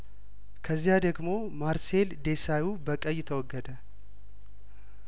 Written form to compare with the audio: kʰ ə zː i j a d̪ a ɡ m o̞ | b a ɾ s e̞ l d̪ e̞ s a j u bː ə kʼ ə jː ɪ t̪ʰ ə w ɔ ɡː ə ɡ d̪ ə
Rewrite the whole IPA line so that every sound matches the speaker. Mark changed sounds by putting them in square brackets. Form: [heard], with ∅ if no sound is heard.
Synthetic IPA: kʰ ə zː i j a d̪ [ə] ɡ m o̞ | [m] a ɾ s e̞ l d̪ e̞ s a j u [b] ə kʼ ə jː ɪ t̪ʰ ə w ɔ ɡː ə [∅] d̪ ə